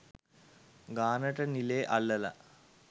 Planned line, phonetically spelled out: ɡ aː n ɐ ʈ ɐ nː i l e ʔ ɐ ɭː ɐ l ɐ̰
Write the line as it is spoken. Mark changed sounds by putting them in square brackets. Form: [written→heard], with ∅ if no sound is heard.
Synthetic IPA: ɡ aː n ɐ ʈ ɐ [nː→n] i l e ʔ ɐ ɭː ɐ l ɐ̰